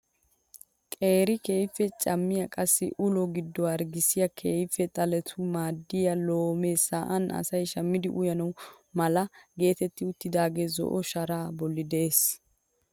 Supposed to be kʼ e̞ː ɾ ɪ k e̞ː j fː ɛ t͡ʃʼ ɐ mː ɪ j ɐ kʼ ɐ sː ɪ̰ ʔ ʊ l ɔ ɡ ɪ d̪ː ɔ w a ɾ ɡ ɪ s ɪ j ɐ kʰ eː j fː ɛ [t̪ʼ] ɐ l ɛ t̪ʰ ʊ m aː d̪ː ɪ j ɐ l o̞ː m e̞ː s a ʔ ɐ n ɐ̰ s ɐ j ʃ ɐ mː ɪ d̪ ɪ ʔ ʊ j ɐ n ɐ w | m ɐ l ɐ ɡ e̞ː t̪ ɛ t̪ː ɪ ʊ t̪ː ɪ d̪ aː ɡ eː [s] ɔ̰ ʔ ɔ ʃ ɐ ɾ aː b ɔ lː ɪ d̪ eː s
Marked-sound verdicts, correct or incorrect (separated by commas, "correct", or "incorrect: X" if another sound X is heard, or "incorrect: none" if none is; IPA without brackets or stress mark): correct, incorrect: z